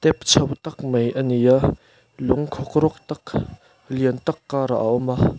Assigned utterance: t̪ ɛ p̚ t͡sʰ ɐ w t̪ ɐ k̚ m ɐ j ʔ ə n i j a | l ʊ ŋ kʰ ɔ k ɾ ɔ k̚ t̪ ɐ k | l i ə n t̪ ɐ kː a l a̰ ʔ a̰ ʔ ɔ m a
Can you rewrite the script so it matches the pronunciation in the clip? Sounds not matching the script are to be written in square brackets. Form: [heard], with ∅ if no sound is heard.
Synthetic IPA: t̪ ɛ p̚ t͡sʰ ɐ w t̪ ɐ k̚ m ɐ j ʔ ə n i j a | l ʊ ŋ kʰ ɔ k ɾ ɔ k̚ t̪ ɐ k | l i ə n t̪ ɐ kː a [ɾ] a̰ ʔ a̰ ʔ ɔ m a